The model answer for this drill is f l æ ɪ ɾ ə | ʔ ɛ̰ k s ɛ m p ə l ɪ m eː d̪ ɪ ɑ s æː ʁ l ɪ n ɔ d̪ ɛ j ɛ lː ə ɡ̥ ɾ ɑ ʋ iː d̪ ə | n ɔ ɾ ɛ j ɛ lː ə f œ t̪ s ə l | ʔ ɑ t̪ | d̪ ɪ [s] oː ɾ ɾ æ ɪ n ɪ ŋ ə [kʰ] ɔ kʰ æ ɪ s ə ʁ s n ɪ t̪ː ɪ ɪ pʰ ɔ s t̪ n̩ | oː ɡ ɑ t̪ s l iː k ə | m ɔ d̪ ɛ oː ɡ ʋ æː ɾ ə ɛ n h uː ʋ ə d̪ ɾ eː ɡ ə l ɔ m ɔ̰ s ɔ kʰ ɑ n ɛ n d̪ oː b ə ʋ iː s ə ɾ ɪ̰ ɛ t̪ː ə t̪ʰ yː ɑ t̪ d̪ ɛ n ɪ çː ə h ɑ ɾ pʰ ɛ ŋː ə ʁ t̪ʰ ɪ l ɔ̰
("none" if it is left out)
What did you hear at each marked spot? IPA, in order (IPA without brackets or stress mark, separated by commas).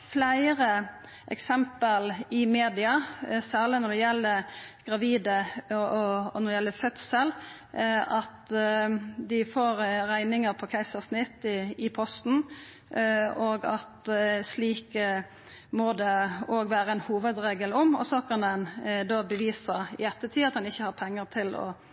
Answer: f, pʰ